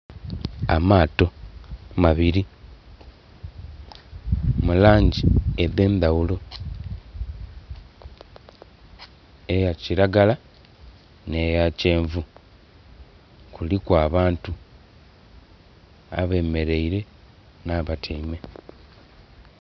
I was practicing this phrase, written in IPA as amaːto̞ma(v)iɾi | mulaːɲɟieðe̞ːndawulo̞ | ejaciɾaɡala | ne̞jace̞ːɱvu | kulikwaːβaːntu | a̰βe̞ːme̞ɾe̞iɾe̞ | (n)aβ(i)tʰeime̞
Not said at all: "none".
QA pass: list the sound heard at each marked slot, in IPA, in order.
β, n, a

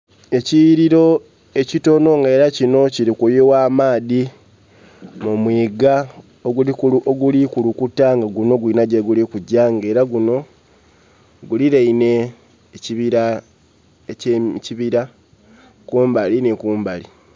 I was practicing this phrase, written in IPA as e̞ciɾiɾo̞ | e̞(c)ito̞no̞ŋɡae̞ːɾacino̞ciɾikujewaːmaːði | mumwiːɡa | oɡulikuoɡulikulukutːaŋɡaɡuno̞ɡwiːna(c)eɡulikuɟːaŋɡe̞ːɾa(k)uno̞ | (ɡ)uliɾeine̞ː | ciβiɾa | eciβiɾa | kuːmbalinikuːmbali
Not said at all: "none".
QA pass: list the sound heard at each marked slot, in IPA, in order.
c, ɟ, ɡ, ɡ

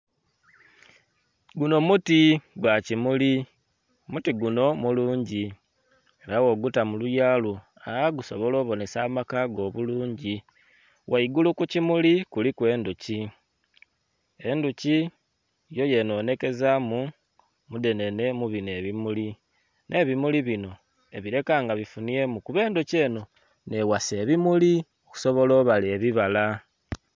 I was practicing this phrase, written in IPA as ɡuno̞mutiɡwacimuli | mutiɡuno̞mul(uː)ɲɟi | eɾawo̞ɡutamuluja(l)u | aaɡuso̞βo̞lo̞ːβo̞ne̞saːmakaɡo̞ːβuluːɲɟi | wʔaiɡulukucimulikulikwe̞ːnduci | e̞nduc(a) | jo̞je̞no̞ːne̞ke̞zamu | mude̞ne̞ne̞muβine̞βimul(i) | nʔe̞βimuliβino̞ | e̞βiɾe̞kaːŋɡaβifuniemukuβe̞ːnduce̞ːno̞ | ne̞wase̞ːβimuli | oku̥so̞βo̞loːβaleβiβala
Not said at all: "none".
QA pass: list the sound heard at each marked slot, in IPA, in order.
uː, l, i, i

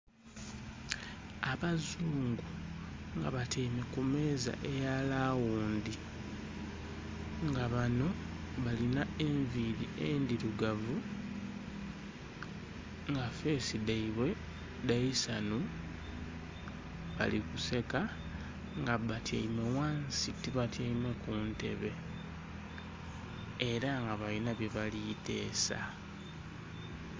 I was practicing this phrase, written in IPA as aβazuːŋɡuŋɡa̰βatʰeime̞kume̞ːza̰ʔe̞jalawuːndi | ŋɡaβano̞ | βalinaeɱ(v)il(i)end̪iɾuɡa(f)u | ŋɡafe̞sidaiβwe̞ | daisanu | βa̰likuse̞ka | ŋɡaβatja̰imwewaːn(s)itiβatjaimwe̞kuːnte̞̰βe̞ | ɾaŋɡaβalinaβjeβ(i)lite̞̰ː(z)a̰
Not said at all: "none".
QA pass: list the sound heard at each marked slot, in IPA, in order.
v, i, v, s, a, s

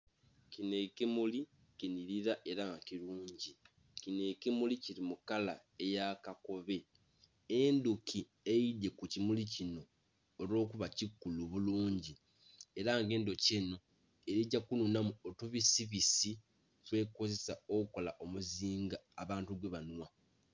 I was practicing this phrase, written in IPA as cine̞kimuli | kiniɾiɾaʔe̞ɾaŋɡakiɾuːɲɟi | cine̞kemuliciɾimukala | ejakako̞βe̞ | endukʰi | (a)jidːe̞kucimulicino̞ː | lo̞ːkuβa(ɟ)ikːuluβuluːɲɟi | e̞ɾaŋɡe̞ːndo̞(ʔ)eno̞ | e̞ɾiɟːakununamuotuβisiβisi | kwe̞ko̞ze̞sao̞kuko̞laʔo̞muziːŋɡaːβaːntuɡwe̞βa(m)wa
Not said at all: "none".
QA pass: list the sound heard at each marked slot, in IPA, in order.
e, c, c, n

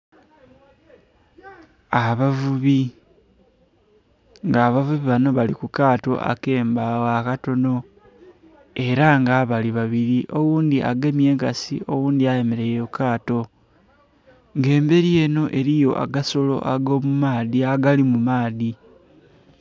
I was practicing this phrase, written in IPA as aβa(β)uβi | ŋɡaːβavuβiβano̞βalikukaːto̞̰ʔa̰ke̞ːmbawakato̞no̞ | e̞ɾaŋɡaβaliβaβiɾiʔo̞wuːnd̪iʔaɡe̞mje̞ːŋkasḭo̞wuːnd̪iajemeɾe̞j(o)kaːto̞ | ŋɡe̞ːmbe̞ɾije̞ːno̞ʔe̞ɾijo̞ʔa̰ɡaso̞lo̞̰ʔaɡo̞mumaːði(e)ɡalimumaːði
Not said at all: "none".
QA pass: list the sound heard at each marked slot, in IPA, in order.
v, o, a

